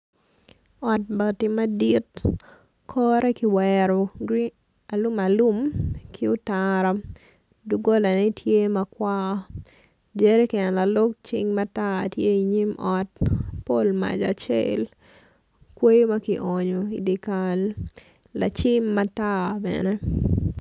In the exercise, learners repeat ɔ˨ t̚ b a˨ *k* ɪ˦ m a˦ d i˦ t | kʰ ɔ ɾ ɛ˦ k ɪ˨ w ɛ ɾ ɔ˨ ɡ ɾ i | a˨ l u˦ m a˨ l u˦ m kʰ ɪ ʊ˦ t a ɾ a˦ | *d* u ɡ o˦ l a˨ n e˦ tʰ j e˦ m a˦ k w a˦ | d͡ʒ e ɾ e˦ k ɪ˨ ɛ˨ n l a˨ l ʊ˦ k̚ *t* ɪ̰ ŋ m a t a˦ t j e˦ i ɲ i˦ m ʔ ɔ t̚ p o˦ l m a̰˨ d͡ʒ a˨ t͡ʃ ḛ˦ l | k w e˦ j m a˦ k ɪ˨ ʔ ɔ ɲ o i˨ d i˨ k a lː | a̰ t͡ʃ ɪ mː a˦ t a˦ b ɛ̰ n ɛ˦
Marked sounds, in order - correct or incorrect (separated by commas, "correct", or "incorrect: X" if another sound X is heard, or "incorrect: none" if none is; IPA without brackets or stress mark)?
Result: incorrect: t, correct, incorrect: t͡ʃ